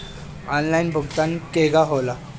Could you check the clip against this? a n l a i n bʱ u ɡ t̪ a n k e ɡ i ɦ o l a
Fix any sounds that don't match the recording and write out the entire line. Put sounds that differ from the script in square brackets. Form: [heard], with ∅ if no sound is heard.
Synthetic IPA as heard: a n l a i n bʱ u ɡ t̪ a n k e ɡ [a] ɦ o l a